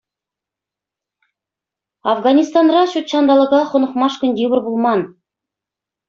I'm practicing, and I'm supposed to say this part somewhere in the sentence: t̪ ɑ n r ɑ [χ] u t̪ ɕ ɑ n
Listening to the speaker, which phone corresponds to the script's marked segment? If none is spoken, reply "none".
ɕ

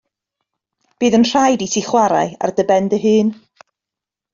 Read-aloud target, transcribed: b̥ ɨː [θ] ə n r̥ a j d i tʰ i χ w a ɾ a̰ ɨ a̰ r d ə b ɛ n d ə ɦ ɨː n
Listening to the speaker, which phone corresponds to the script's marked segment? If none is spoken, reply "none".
ð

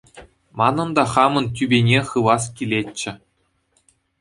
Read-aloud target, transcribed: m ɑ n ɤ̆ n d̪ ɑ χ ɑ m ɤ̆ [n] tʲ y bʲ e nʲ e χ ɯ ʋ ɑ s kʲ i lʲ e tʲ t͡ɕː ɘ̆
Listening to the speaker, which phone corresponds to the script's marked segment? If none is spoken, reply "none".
n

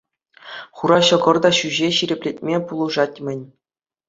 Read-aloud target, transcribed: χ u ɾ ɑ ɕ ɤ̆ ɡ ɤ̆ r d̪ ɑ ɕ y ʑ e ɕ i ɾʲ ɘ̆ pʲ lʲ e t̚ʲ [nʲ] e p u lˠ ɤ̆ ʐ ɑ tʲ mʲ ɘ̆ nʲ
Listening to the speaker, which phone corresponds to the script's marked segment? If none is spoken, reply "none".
mʲ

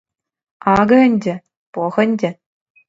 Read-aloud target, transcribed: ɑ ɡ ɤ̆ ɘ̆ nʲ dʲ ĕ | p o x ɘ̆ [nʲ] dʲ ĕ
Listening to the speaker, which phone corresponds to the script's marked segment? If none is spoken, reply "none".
nʲ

